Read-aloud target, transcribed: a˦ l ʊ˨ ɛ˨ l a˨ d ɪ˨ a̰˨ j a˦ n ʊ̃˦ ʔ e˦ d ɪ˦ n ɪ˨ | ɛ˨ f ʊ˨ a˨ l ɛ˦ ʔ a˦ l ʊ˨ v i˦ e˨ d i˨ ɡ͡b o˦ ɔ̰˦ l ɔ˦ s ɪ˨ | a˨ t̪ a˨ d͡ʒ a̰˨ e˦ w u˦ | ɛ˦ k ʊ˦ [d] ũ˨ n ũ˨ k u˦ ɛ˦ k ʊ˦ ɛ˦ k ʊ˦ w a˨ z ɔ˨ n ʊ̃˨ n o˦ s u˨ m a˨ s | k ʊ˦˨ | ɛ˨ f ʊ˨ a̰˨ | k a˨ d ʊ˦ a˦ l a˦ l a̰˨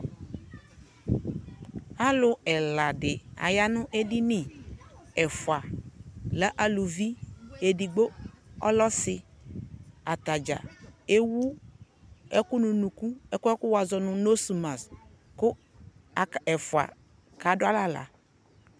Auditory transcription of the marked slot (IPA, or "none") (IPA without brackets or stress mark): n